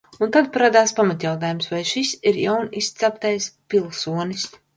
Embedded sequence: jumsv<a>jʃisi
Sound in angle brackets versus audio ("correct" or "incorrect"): correct